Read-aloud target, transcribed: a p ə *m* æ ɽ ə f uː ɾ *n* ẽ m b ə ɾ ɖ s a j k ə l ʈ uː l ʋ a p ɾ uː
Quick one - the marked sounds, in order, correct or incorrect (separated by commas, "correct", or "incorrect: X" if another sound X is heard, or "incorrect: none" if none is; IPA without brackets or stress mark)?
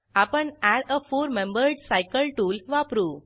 incorrect: ɳ, incorrect: m